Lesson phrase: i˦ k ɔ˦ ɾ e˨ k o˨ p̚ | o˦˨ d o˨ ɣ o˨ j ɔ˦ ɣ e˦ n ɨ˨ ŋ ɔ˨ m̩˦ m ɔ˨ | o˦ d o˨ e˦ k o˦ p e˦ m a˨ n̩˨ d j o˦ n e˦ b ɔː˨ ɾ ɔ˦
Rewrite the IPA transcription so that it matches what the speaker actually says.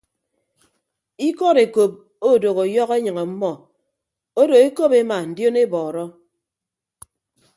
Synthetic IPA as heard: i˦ k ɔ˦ ɾ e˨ k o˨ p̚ | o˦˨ d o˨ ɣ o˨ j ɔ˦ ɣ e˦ ɲ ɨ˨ ŋ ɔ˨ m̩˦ m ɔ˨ | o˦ d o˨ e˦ k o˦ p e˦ m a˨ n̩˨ d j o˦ n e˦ b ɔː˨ ɾ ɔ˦